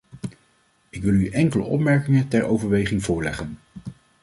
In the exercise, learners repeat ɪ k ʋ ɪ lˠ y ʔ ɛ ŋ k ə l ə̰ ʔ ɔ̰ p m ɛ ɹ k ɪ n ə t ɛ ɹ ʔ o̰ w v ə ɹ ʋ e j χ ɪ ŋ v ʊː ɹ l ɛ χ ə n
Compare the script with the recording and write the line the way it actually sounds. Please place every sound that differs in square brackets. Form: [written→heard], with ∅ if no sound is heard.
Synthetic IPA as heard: ɪ k ʋ ɪ lˠ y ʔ ɛ ŋ k ə l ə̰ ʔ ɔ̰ p m ɛ ɹ k ɪ [n→ŋ] ə t ɛ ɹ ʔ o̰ w v ə ɹ ʋ e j χ ɪ ŋ v ʊː ɹ l ɛ χ ə n